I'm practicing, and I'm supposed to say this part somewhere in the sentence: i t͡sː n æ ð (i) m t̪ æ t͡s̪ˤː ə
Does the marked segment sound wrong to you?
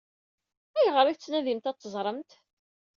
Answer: no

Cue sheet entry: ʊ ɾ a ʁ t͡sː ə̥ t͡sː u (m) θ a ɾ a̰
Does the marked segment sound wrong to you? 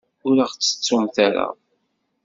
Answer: no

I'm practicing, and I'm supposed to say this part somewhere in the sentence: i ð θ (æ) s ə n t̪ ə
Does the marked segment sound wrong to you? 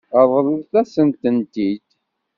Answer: no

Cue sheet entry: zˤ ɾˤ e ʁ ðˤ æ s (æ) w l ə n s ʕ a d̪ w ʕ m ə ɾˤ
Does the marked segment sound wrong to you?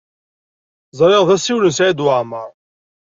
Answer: yes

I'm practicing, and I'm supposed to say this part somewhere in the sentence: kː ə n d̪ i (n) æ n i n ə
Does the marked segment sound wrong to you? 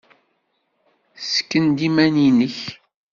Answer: yes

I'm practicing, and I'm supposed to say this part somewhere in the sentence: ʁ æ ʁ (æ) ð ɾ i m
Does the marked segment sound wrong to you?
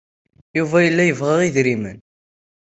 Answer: yes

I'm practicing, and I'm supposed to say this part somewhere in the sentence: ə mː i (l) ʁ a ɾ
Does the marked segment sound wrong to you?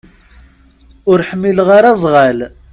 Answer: no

